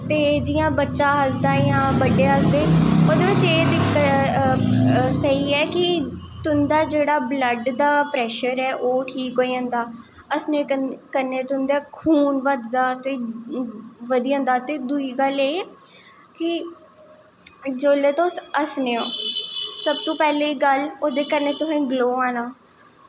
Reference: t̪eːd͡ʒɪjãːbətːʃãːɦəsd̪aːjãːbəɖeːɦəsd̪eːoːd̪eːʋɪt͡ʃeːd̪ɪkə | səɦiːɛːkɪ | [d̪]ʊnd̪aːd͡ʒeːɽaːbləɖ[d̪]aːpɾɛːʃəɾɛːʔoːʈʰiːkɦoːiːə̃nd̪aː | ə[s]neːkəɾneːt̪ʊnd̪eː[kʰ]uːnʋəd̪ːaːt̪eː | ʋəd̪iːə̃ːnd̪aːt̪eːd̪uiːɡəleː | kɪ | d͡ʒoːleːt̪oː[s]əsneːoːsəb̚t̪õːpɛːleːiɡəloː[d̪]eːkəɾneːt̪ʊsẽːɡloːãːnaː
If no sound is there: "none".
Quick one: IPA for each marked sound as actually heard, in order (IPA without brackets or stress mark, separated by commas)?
t̪, d̪, s, kʰ, s, d̪